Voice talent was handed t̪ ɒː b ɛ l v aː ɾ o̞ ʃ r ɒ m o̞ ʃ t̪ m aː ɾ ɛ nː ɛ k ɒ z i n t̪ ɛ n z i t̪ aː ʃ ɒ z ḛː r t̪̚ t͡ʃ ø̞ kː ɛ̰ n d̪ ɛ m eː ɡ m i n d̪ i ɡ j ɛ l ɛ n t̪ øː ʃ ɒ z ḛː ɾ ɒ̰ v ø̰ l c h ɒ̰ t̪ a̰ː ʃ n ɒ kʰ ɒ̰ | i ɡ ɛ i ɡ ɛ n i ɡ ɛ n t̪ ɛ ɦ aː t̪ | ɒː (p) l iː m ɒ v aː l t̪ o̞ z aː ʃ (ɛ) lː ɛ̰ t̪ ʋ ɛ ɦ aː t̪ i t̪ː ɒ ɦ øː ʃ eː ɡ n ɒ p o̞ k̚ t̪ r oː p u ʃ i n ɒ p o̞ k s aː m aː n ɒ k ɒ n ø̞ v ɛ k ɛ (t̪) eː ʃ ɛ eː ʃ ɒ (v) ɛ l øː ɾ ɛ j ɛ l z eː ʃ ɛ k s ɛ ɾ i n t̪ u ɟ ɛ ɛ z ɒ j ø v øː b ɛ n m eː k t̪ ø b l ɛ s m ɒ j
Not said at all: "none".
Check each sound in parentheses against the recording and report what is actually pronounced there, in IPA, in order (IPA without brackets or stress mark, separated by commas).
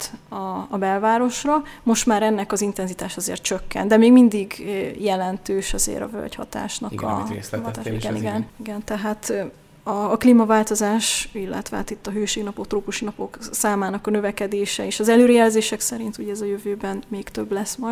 k, i, d̪, z